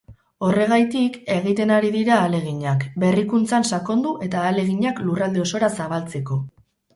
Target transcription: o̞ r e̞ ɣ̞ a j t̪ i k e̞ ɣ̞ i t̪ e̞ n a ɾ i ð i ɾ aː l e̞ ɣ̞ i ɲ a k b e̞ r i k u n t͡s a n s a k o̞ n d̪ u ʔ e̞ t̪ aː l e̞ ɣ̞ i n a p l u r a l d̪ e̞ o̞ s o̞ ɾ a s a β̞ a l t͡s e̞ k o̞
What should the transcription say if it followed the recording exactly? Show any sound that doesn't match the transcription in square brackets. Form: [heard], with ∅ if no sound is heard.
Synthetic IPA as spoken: o̞ r e̞ ɣ̞ a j t̪ i k e̞ ɣ̞ i t̪ e̞ n a ɾ i ð i ɾ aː l e̞ ɣ̞ i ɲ a k b e̞ r i k u n t͡s a n s a k o̞ n d̪ u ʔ e̞ t̪ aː l e̞ ɣ̞ i [ɲ] a [k] l u r a l d̪ e̞ o̞ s o̞ ɾ a s a β̞ a l t͡s e̞ k o̞